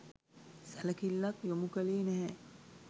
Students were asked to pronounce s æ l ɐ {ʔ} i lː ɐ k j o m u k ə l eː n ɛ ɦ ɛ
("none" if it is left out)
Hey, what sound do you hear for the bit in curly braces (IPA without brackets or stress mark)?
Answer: k